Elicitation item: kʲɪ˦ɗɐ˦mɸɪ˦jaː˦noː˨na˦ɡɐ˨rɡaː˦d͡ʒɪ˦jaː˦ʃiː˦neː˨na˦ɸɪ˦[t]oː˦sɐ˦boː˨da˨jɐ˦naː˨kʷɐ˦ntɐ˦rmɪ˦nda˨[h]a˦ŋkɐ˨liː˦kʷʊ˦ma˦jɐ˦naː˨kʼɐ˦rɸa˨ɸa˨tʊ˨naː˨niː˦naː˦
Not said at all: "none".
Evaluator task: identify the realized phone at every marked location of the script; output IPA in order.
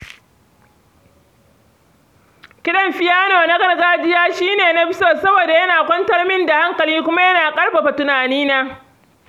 s, h

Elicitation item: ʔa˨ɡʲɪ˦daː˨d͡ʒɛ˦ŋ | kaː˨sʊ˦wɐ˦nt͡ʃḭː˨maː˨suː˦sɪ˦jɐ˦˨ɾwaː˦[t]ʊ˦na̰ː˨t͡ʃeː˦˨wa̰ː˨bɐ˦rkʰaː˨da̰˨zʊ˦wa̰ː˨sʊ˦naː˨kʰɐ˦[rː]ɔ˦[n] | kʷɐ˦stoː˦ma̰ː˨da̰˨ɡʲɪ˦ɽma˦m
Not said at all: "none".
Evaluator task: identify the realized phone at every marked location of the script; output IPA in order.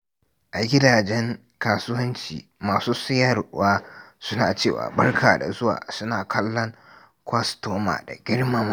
s, lː, ŋ

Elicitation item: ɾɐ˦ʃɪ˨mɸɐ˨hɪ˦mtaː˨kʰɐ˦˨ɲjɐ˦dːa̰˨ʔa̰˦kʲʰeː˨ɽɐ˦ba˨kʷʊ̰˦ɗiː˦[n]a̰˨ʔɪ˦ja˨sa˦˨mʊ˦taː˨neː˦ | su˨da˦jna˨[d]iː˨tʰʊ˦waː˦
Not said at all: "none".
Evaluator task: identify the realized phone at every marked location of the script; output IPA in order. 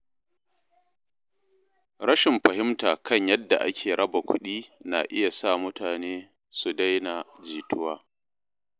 n, d͡ʒ

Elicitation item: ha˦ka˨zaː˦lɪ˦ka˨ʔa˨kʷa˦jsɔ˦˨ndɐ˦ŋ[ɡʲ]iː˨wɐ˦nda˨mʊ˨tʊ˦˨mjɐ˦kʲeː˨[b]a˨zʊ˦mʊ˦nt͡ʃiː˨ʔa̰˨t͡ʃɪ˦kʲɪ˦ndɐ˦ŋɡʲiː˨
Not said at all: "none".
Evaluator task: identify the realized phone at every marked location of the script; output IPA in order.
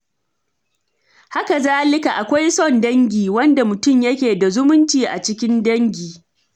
ɡʲ, d

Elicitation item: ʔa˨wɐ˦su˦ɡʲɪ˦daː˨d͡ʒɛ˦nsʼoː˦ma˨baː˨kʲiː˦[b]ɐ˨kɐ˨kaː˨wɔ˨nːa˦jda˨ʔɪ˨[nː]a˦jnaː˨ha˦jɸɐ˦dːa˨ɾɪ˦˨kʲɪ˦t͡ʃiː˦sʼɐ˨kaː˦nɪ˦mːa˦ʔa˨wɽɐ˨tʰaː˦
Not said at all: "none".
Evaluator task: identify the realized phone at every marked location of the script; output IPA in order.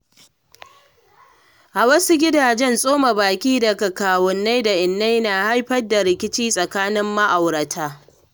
d, nː

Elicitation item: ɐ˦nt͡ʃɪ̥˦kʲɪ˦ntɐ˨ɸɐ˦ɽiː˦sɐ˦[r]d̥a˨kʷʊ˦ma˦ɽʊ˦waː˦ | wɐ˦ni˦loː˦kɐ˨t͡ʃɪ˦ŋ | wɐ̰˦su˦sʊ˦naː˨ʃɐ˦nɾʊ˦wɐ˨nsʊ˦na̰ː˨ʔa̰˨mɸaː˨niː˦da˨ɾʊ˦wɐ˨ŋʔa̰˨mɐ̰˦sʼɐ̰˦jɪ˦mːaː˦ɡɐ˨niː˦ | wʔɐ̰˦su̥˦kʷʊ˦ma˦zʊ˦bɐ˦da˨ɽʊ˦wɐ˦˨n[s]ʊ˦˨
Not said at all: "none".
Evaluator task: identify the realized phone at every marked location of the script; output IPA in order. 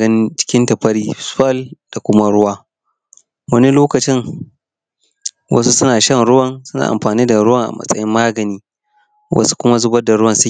l, s

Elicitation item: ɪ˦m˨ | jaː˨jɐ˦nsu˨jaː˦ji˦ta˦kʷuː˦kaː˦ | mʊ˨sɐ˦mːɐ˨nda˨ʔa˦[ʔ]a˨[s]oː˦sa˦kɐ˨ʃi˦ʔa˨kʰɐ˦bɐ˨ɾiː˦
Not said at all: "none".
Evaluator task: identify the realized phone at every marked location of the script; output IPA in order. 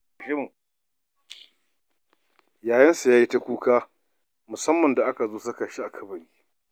k, z

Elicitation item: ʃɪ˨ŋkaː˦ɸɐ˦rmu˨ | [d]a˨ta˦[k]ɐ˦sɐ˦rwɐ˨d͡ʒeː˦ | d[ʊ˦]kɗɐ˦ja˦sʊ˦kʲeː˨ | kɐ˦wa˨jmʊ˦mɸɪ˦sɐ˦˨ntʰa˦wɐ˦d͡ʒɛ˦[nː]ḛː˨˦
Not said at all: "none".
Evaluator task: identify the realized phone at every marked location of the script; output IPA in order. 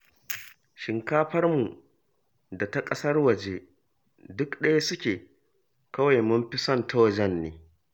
d, kʼ, ʊ˦, nː

